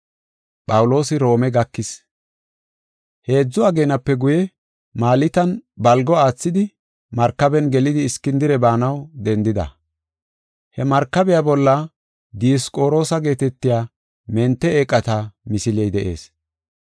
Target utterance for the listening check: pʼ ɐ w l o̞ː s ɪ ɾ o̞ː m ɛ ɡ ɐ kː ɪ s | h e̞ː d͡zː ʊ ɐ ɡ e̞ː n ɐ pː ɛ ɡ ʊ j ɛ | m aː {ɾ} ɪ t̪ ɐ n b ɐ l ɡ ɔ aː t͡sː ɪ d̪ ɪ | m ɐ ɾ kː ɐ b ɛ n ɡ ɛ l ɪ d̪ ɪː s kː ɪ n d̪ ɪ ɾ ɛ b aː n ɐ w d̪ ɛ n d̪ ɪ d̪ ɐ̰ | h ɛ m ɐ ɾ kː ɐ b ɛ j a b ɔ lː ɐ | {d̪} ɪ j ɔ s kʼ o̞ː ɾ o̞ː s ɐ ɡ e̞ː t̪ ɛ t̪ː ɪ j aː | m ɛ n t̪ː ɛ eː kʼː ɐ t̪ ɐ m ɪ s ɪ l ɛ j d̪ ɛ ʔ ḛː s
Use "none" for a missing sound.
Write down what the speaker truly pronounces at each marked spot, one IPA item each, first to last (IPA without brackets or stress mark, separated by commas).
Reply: l, d̪